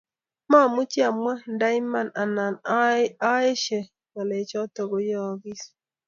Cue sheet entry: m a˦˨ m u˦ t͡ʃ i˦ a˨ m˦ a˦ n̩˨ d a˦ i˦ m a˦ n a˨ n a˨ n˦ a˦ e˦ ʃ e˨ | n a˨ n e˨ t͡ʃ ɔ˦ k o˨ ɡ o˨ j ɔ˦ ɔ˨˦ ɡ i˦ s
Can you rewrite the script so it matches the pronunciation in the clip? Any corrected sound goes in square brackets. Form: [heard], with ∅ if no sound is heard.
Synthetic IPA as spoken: m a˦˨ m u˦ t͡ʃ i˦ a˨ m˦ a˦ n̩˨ d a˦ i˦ m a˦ n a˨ n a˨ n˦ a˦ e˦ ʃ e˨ | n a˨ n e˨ t͡ʃ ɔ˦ [t] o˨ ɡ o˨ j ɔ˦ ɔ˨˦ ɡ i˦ s

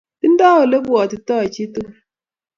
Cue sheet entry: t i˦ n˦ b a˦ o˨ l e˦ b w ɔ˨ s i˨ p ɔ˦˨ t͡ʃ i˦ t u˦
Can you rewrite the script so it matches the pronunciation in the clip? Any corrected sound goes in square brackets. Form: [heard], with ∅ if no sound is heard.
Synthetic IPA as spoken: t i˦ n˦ [d] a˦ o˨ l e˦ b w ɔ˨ [t] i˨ [t] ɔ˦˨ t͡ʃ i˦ t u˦

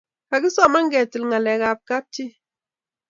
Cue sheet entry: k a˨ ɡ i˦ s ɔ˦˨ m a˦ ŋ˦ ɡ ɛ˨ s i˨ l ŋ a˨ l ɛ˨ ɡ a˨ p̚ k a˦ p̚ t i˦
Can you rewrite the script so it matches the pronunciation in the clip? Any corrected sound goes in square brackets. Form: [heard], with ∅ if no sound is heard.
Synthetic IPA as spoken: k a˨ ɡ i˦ s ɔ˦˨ m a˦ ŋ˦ ɡ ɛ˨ [t] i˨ l ŋ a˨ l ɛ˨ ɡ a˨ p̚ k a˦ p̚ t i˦

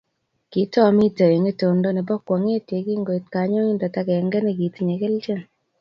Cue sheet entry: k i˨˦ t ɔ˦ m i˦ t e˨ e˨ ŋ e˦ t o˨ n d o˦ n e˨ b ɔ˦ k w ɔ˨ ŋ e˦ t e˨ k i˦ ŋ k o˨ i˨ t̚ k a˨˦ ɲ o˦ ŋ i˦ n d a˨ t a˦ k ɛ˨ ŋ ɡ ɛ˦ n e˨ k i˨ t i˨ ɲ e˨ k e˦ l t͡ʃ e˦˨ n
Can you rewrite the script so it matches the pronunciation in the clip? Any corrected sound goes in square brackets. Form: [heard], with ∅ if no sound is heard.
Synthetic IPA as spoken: k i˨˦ t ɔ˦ m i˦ t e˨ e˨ ŋ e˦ t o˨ n d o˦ n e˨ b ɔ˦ k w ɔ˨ ŋ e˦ t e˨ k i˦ ŋ [ɡ] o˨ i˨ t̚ k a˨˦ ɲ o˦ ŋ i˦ n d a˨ t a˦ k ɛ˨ ŋ ɡ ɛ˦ n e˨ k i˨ t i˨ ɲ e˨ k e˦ l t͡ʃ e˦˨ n

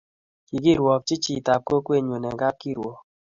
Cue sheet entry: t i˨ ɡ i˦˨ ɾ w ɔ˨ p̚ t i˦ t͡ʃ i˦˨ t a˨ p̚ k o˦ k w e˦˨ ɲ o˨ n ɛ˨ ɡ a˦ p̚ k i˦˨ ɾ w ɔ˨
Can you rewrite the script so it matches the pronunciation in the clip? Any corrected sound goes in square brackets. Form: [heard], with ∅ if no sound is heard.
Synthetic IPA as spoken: [k] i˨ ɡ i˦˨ ɾ w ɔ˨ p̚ [t͡ʃ] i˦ t͡ʃ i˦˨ t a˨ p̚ k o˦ k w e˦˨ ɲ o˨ n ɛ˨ ɡ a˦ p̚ k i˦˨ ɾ w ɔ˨

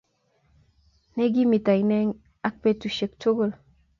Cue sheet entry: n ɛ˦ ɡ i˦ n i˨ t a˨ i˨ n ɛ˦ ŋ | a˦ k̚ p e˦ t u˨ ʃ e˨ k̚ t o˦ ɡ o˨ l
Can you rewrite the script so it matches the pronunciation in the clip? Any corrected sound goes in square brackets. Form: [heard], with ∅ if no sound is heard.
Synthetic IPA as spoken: n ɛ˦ ɡ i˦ [m] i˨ t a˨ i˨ n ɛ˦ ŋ | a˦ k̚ p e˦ t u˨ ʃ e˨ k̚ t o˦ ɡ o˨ l

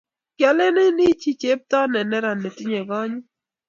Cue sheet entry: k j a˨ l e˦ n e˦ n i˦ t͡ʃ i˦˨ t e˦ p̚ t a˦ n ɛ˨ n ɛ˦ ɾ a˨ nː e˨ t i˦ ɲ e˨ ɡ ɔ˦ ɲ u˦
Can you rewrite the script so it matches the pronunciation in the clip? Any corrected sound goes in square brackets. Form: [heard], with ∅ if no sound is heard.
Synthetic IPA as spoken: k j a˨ l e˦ n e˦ n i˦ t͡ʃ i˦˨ [t͡ʃ] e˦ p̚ t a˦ n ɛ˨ n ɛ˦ ɾ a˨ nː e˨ t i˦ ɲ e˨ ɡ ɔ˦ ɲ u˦

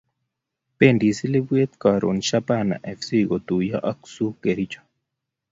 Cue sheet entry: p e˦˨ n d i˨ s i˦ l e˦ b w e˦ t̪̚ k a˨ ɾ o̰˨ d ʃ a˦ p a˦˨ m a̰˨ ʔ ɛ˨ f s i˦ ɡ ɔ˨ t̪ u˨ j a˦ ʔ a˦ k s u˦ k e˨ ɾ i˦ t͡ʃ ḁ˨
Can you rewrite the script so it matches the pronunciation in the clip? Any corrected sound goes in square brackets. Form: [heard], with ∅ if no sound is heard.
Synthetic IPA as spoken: p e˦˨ n d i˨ s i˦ l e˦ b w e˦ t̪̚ k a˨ ɾ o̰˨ [n] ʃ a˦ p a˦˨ [n] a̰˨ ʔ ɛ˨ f s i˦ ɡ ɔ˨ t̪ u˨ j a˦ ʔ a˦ k s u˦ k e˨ ɾ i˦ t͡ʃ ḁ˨

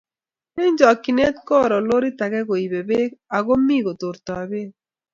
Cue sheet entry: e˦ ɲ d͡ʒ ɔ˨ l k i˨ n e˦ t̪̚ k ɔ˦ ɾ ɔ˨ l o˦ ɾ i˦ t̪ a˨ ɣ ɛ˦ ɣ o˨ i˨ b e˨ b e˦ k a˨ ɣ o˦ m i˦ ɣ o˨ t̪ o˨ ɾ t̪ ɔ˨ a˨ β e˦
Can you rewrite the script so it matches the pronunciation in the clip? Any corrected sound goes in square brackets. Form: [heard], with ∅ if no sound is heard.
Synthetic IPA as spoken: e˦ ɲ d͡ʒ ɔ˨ [∅] k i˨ n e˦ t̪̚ k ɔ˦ ɾ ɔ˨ l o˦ ɾ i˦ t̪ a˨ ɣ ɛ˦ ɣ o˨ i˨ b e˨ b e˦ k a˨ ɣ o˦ m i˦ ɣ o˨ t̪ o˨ ɾ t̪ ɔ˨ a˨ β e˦

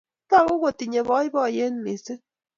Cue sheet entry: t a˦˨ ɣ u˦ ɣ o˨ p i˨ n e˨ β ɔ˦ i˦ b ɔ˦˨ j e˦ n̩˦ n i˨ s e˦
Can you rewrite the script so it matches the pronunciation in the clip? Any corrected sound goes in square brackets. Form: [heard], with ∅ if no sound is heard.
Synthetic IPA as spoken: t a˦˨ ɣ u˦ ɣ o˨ [t] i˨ [ɲ] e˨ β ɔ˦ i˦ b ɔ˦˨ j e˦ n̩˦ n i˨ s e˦

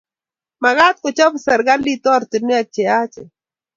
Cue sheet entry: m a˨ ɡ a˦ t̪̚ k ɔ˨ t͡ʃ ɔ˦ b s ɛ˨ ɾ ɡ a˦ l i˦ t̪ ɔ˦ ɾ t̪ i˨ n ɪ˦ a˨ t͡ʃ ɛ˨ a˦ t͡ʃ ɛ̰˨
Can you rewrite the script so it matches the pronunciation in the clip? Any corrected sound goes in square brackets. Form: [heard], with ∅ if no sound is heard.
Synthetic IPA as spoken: m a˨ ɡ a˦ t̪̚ k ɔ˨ t͡ʃ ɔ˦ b s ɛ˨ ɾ ɡ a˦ l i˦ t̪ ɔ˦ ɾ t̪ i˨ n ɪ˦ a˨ t͡ʃ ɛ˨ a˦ t͡ʃ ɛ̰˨

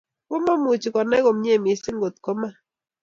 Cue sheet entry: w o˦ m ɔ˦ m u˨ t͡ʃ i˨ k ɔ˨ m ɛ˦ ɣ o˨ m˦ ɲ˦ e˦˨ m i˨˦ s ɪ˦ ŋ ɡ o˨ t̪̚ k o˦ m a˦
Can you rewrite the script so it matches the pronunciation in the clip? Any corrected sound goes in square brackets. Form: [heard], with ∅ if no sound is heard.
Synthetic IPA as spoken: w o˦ m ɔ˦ m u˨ t͡ʃ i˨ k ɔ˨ [n] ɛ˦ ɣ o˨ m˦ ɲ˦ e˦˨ m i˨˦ s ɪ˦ ŋ ɡ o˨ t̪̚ k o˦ m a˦

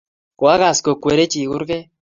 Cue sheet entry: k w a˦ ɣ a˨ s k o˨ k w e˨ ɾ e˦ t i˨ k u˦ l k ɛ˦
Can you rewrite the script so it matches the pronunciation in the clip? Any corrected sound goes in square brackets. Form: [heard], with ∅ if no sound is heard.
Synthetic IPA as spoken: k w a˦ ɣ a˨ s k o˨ k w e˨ ɾ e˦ [t͡ʃ] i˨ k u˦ [ɾ] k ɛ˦

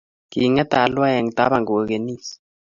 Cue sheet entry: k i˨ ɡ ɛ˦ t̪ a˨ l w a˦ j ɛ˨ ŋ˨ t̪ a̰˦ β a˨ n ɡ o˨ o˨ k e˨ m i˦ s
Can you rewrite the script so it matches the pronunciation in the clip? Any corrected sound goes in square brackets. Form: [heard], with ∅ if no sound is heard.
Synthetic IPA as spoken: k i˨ [ŋ] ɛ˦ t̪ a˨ l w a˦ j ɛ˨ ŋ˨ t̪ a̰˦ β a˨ [ŋ] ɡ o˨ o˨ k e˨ [n] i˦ s

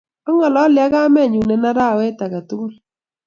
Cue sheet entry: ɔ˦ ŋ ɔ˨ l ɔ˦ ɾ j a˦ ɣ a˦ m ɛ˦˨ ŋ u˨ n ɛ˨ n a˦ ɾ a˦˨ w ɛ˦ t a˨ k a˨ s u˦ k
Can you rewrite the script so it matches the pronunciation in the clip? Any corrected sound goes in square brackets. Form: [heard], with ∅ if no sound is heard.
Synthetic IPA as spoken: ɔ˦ ŋ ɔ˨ l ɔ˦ [l] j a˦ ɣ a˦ m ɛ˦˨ [ɲ] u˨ n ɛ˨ n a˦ ɾ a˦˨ w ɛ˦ t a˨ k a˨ [t] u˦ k

